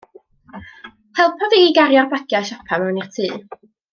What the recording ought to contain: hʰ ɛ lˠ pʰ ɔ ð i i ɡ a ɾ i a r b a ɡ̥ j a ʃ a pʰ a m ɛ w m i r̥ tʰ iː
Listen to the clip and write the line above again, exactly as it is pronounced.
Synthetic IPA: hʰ ɛ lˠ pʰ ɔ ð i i ɡ a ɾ j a r b a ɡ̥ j a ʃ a pʰ a m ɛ w n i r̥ tʰ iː